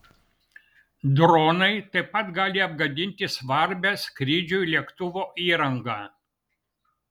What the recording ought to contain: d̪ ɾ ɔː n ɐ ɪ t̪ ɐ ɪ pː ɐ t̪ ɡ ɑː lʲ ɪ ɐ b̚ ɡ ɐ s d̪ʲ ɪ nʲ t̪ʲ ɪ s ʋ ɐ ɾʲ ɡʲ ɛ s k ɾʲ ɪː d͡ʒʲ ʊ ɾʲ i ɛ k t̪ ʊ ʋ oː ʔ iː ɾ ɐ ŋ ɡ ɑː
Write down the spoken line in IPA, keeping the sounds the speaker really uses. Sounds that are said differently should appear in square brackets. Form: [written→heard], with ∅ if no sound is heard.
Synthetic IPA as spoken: d̪ ɾ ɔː n ɐ ɪ t̪ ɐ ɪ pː ɐ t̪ ɡ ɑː lʲ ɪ ɐ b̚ ɡ ɐ [s→∅] d̪ʲ ɪ nʲ t̪ʲ ɪ s ʋ ɐ ɾʲ [ɡʲ→bʲ] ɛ s k ɾʲ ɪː d͡ʒʲ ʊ [ɾʲ→lʲ] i ɛ k t̪ ʊ ʋ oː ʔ iː ɾ ɐ ŋ ɡ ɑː

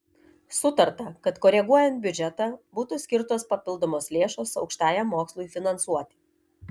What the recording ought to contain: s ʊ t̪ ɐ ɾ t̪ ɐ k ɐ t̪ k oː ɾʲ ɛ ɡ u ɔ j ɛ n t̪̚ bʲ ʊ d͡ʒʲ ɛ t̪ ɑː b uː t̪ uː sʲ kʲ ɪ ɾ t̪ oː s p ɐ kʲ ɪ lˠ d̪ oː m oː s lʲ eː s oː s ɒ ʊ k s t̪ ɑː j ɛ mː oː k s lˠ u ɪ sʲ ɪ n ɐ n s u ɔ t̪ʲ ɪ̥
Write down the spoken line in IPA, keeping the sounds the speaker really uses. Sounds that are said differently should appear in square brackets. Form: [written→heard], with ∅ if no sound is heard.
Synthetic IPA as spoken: s ʊ t̪ ɐ ɾ t̪ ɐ k ɐ t̪ k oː ɾʲ ɛ ɡ u ɔ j ɛ n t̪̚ bʲ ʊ d͡ʒʲ ɛ t̪ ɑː b uː t̪ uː sʲ kʲ ɪ ɾ t̪ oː s p ɐ [kʲ→pʲ] ɪ lˠ d̪ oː m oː s lʲ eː [s→ʃ] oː s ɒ ʊ k [s→ʃ] t̪ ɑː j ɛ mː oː k s lˠ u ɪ [sʲ→fʲ] ɪ n ɐ n s u ɔ t̪ʲ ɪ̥

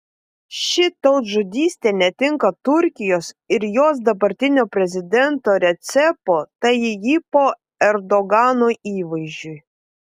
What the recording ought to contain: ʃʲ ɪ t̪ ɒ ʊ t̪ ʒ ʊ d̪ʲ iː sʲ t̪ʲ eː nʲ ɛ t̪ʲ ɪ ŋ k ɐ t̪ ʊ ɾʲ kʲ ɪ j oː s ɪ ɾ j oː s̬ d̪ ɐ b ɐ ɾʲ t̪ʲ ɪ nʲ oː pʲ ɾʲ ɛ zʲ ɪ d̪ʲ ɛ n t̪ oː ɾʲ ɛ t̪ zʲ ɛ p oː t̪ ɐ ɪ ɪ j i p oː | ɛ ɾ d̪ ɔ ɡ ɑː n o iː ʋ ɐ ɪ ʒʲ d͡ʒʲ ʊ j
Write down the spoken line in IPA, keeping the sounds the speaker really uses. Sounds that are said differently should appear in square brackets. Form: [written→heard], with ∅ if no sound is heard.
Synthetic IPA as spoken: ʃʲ ɪ t̪ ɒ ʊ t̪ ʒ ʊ d̪ʲ iː sʲ t̪ʲ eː nʲ ɛ t̪ʲ ɪ ŋ k ɐ t̪ ʊ ɾʲ kʲ ɪ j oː s ɪ ɾ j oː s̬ d̪ ɐ b ɐ ɾʲ t̪ʲ ɪ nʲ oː pʲ ɾʲ ɛ zʲ ɪ d̪ʲ ɛ n t̪ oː ɾʲ ɛ t̪ [zʲ→sʲ] ɛ p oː t̪ ɐ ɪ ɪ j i p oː | ɛ ɾ d̪ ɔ ɡ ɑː n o iː ʋ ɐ ɪ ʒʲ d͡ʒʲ ʊ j

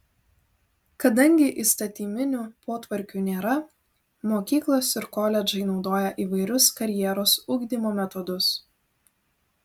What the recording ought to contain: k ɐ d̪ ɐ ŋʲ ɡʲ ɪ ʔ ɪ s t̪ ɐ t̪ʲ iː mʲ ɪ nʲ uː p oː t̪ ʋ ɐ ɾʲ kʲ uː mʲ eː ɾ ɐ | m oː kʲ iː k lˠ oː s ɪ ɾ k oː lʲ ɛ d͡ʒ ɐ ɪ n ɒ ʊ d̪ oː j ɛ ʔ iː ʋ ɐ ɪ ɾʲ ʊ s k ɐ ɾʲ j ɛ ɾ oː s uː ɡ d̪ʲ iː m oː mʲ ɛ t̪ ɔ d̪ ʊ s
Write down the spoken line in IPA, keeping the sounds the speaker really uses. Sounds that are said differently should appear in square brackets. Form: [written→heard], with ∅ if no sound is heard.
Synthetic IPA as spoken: k ɐ d̪ ɐ ŋʲ ɡʲ ɪ ʔ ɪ s t̪ ɐ t̪ʲ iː mʲ ɪ nʲ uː p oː t̪ ʋ ɐ ɾʲ kʲ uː [mʲ→nʲ] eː ɾ ɐ | m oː kʲ iː k lˠ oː s ɪ ɾ k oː lʲ ɛ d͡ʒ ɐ ɪ n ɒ ʊ d̪ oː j ɛ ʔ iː ʋ ɐ ɪ ɾʲ ʊ s k ɐ ɾʲ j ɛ ɾ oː s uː ɡ d̪ʲ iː m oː mʲ ɛ t̪ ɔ d̪ ʊ s

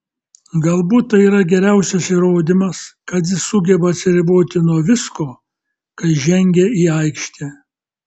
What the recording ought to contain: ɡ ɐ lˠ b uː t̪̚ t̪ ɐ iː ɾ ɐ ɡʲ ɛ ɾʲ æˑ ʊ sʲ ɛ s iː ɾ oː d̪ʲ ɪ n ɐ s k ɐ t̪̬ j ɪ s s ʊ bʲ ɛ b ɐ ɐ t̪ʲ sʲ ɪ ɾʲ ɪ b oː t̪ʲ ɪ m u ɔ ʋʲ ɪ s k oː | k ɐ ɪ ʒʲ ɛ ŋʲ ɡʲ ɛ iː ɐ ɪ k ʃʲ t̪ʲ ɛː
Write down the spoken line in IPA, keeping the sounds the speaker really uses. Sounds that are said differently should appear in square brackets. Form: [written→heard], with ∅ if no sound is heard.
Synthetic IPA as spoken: ɡ ɐ lˠ b uː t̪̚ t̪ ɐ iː ɾ ɐ ɡʲ ɛ ɾʲ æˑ ʊ sʲ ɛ s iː ɾ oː d̪ʲ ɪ [n→m] ɐ s k ɐ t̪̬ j ɪ s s ʊ [bʲ→ɡʲ] ɛ b ɐ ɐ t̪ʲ sʲ ɪ ɾʲ ɪ b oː t̪ʲ ɪ [m→n] u ɔ ʋʲ ɪ s k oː | k ɐ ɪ ʒʲ ɛ ŋʲ ɡʲ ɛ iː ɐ ɪ k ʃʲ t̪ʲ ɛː

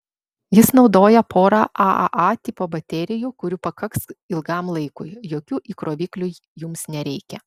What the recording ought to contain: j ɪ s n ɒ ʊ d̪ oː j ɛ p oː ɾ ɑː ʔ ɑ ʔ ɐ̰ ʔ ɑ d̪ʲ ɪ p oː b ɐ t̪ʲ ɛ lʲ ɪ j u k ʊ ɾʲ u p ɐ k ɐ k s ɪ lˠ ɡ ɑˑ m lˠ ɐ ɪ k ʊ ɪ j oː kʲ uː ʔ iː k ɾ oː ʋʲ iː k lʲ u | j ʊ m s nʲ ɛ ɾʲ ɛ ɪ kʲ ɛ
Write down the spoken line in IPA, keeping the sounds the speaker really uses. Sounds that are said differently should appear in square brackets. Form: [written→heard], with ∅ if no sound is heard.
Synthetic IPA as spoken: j ɪ s n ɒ ʊ d̪ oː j ɛ p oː ɾ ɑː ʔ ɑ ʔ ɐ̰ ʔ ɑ [d̪ʲ→t̪ʲ] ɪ p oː b ɐ t̪ʲ ɛ [lʲ→ɾʲ] ɪ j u k ʊ ɾʲ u p ɐ k ɐ k s ɪ lˠ ɡ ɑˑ m lˠ ɐ ɪ k ʊ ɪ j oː kʲ uː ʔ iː k ɾ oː ʋʲ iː k lʲ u | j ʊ m s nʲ ɛ ɾʲ ɛ ɪ kʲ ɛ

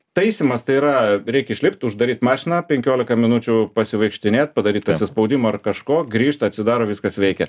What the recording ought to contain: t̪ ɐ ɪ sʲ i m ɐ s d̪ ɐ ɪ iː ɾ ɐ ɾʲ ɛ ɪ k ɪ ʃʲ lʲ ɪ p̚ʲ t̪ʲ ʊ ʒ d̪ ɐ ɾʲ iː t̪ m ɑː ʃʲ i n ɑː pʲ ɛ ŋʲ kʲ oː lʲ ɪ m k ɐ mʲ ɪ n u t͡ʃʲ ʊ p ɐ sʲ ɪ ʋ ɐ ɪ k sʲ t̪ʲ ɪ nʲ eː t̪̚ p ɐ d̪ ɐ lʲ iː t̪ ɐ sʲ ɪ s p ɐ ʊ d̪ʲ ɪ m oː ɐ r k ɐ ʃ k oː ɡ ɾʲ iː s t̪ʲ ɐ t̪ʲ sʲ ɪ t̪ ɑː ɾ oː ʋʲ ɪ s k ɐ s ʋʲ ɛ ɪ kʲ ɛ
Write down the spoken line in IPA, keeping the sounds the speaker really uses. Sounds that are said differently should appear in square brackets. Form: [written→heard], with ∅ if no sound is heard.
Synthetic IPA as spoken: t̪ ɐ ɪ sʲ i m ɐ s [d̪→t̪] ɐ ɪ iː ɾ ɐ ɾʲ ɛ ɪ k ɪ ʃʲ lʲ ɪ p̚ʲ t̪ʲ ʊ ʒ d̪ ɐ ɾʲ iː t̪ m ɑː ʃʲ [i→ɪ] n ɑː pʲ ɛ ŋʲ kʲ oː lʲ ɪ [m→∅] k ɐ mʲ ɪ n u t͡ʃʲ ʊ p ɐ sʲ ɪ ʋ ɐ ɪ k [sʲ→ʃʲ] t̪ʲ ɪ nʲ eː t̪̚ p ɐ d̪ ɐ [lʲ→ɾʲ] iː t̪ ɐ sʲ ɪ s p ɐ ʊ d̪ʲ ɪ m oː ɐ r k ɐ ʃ k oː ɡ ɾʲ iː [s→ʃ] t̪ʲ ɐ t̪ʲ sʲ ɪ [t̪→d̪] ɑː ɾ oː ʋʲ ɪ s k ɐ s ʋʲ ɛ ɪ kʲ ɛ

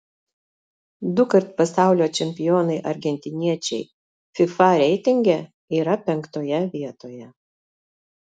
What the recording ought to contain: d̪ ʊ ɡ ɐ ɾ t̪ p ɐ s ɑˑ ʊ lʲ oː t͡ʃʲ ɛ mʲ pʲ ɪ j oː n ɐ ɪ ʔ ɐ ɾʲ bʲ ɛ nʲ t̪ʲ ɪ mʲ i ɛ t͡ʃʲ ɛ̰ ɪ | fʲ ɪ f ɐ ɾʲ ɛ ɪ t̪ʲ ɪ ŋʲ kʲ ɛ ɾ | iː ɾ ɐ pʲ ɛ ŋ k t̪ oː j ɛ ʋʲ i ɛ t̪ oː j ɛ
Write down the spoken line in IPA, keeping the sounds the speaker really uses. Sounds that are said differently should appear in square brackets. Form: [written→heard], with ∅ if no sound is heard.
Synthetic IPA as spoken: d̪ ʊ [ɡ→k] ɐ ɾ t̪ p ɐ s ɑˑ ʊ lʲ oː t͡ʃʲ ɛ mʲ pʲ ɪ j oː n ɐ ɪ ʔ ɐ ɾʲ [bʲ→ɡʲ] ɛ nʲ t̪ʲ ɪ [mʲ→nʲ] i ɛ t͡ʃʲ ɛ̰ ɪ | fʲ ɪ f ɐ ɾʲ ɛ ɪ t̪ʲ ɪ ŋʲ [kʲ→ɡʲ] ɛ [ɾ→∅] | iː ɾ ɐ pʲ ɛ ŋ k t̪ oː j ɛ ʋʲ i ɛ t̪ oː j ɛ

